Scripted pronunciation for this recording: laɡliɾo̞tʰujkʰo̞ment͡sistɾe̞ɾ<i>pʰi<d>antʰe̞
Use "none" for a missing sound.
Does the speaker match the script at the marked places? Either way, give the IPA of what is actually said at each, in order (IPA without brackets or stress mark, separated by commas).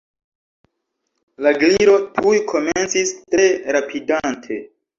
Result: a, d